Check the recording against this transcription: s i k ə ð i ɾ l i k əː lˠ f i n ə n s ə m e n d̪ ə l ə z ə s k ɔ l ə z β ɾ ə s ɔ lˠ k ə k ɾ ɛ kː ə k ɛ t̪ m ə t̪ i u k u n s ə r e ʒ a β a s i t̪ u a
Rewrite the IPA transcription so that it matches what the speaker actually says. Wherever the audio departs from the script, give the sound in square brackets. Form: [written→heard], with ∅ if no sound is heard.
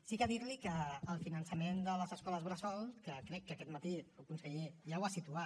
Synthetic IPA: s i k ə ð i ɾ l i k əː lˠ f i n ə n s ə m e n d̪ ə l ə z ə s k ɔ l ə z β ɾ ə s ɔ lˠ k ə k ɾ ɛ kː ə k ɛ t̪ m ə t̪ i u k u n s ə [r→ʎ] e ʒ a [β→w] a s i t̪ u a